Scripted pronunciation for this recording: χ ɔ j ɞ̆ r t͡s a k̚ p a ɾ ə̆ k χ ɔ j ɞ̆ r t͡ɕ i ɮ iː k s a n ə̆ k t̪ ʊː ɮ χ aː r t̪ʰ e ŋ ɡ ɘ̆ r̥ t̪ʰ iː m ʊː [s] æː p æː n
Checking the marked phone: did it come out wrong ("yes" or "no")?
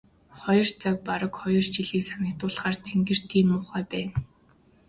yes